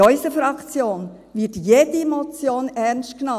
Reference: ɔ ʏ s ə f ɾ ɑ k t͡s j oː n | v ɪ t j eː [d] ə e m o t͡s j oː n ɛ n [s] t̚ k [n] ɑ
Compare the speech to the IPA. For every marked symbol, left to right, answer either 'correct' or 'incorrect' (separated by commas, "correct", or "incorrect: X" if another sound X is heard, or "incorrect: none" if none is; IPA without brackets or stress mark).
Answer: correct, correct, correct